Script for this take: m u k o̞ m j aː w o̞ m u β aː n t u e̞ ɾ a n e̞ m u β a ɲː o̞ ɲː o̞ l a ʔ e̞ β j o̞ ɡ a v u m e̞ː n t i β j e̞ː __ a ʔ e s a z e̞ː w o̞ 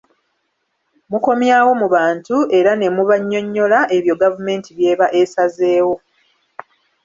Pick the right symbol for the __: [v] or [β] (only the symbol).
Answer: β